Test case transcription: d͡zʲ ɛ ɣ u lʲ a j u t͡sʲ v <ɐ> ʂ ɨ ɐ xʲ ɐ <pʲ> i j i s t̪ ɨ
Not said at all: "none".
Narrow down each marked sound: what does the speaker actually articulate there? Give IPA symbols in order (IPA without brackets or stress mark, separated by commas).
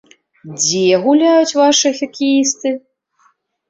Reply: a, kʲ